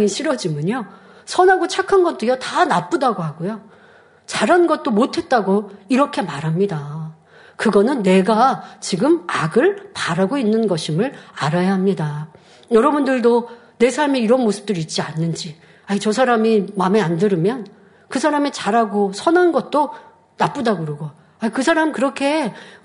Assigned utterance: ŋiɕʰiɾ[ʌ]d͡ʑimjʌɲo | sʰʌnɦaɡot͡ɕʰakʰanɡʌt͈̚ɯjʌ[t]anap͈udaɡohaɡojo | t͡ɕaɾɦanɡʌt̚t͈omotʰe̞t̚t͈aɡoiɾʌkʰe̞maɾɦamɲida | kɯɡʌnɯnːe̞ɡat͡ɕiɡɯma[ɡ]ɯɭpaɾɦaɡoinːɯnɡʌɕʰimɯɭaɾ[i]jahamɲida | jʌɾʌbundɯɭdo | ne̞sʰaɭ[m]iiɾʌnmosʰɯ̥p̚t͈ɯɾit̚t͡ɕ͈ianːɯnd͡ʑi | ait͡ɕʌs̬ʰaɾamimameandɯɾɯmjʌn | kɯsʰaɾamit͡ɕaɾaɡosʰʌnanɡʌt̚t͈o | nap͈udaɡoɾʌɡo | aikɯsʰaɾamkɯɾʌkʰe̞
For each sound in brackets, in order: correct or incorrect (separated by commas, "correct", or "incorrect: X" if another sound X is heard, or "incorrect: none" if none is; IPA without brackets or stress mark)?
correct, correct, correct, incorrect: a, correct